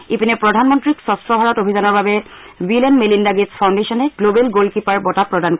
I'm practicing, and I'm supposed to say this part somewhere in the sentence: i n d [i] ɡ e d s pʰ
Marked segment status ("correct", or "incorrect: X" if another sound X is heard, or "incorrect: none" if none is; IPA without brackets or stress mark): incorrect: a